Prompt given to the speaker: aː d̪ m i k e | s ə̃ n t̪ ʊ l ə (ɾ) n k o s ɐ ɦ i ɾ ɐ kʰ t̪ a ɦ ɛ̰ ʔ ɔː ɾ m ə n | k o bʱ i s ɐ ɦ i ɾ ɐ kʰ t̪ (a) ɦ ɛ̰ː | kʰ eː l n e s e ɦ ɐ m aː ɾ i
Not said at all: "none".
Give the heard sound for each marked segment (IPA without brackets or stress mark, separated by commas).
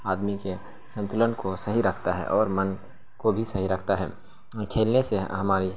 none, a